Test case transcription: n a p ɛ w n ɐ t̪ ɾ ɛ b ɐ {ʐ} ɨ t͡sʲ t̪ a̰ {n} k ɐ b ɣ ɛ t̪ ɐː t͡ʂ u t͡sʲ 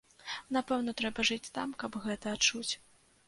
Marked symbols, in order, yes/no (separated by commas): yes, no